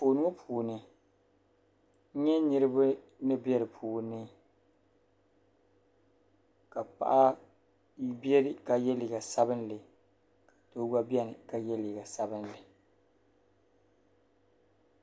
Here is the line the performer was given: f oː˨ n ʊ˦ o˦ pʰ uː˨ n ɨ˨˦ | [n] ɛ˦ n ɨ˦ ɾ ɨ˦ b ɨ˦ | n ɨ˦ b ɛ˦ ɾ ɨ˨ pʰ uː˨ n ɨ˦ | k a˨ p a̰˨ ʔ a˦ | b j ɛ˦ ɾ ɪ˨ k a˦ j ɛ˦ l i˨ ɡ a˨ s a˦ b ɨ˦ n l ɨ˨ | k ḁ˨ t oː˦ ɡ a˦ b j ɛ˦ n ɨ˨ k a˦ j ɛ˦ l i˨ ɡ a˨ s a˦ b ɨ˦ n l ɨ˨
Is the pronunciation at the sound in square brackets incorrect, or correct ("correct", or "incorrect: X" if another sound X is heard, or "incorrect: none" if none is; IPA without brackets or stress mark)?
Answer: incorrect: ɲ